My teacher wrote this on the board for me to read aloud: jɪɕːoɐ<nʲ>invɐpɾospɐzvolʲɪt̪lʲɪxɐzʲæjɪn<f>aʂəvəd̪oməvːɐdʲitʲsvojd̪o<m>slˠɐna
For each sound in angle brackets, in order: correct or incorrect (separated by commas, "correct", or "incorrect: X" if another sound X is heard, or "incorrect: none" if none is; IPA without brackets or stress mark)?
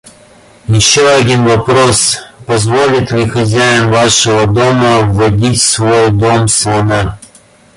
incorrect: dʲ, incorrect: v, correct